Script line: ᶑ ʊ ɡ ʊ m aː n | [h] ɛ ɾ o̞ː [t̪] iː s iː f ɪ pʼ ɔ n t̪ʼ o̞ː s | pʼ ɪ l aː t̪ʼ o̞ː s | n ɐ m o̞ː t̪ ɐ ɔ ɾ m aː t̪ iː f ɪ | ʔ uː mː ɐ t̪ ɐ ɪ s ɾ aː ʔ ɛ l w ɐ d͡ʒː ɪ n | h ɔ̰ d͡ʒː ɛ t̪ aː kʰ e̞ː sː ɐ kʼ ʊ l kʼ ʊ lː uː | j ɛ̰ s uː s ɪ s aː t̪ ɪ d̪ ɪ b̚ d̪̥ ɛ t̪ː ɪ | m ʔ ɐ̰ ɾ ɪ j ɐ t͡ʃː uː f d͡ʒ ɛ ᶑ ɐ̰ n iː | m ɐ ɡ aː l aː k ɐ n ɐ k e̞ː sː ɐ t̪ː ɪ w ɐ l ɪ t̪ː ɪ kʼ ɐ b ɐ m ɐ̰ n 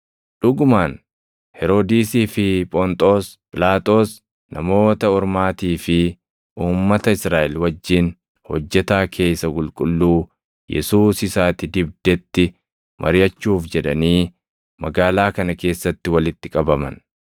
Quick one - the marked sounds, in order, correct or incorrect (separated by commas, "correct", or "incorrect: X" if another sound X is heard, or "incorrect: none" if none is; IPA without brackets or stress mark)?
correct, incorrect: d̪